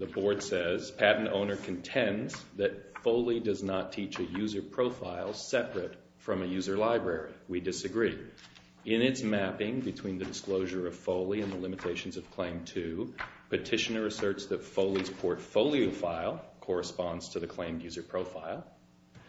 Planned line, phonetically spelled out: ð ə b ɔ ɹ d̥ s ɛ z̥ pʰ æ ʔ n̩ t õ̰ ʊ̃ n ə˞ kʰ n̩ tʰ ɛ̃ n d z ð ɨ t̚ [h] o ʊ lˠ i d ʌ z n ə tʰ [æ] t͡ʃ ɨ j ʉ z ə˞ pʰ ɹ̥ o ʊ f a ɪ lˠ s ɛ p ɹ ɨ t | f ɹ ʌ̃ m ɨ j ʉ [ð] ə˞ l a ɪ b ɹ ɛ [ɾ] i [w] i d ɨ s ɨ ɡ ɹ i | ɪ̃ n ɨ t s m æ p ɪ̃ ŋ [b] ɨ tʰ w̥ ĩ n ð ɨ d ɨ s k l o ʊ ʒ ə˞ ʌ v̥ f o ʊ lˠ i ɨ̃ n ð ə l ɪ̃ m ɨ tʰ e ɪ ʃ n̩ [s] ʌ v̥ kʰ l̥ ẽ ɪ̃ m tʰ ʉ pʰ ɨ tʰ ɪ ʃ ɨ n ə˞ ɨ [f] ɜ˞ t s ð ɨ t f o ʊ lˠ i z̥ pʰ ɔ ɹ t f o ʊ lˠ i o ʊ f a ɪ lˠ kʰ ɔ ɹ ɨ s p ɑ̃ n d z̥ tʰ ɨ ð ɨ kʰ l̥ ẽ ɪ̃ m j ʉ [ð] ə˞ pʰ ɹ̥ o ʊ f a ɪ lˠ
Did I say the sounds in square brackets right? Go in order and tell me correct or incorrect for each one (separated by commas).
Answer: incorrect, incorrect, incorrect, incorrect, correct, correct, incorrect, incorrect, incorrect